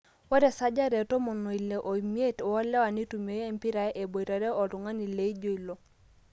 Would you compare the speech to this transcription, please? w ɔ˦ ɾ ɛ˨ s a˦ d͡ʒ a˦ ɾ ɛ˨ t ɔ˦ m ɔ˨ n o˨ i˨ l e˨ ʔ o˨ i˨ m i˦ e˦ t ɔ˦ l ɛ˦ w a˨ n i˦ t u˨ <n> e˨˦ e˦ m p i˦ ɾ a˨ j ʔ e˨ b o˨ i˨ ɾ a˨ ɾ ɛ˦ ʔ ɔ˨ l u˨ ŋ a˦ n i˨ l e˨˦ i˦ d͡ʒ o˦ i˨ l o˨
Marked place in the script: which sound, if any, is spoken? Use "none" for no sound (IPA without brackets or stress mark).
m